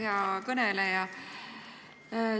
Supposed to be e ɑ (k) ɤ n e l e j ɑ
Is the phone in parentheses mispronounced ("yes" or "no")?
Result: no